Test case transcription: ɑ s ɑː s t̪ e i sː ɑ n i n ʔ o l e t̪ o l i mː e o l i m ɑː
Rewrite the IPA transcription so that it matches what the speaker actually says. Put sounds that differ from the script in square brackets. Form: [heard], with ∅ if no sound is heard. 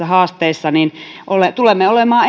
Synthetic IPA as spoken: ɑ [h] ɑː s t̪ e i sː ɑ n i n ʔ o l e t̪ [u] l [e] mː e o l [e] m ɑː